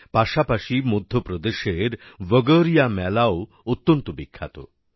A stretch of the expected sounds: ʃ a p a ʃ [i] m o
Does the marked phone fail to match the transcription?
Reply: no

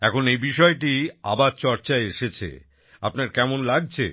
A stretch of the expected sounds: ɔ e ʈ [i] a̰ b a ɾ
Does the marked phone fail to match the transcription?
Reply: no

